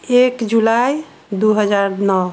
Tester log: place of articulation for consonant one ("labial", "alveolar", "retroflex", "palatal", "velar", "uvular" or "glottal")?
velar